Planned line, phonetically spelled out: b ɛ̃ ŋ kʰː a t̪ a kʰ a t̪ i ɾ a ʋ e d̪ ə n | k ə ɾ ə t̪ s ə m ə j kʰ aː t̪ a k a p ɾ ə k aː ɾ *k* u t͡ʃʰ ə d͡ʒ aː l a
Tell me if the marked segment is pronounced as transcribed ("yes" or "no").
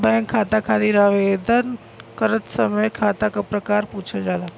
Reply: no